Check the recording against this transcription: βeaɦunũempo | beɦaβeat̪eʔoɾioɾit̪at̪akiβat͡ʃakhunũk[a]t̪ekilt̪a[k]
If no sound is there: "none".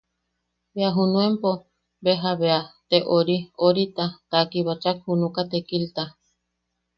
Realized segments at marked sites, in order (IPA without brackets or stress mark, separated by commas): a, none